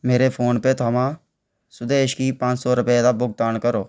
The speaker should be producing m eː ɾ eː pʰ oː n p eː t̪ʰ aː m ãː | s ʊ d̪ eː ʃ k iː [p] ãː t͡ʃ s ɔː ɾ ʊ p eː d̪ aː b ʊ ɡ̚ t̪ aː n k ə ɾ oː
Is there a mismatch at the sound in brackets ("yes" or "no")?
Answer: no